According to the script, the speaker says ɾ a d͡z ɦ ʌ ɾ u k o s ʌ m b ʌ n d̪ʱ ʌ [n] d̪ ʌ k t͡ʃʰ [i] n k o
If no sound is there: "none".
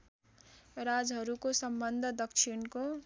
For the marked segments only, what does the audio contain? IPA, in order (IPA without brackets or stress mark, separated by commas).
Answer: none, i